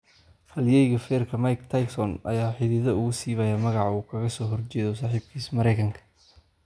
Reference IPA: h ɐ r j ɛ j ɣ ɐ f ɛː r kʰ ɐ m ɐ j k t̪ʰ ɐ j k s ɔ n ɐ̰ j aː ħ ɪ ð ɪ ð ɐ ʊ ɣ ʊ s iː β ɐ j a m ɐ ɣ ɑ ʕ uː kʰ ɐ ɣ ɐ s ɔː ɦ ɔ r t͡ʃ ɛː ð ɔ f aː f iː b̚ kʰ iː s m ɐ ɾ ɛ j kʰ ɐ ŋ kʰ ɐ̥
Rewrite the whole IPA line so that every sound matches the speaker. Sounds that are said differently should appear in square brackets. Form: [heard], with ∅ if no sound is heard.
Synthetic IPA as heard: h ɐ [l] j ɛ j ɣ ɐ f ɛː r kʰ ɐ m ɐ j k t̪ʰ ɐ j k s ɔ n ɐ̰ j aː ħ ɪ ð ɪ ð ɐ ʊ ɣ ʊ s iː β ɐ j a m ɐ ɣ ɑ ʕ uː kʰ ɐ ɣ ɐ s ɔː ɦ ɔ r t͡ʃ ɛː ð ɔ [s] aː [ħ] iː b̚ kʰ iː s m ɐ ɾ ɛ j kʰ ɐ ŋ kʰ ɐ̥

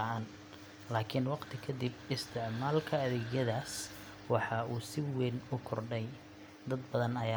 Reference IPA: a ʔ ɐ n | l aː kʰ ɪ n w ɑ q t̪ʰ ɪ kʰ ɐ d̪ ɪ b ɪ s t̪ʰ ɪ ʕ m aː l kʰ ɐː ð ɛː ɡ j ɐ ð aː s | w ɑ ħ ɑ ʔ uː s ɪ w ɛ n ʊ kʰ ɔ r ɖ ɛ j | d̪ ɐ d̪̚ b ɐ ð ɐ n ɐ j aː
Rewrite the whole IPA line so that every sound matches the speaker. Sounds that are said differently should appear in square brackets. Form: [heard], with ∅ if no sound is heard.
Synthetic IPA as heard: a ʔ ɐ n | l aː kʰ ɪ n w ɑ q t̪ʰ ɪ kʰ ɐ d̪ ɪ b ɪ s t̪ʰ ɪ ʕ m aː l kʰ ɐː ð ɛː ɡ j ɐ ð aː s | w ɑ ħ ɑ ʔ uː s ɪ w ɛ n ʊ kʰ ɔ r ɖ ɛ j | d̪ ɐ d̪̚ b ɐ ð ɐ n ɐ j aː

